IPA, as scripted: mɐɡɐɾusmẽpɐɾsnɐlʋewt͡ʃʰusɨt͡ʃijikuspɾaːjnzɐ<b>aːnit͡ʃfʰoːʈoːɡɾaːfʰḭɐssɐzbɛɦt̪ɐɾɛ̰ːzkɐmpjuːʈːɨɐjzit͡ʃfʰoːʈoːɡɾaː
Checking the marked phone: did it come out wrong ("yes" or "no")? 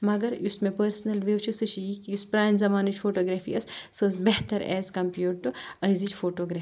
yes